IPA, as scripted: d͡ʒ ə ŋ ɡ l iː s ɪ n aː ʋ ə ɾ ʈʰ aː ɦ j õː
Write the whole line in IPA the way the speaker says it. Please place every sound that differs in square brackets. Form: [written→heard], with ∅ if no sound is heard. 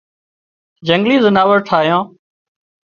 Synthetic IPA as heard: d͡ʒ ə ŋ ɡ l iː [s→z] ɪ n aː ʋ ə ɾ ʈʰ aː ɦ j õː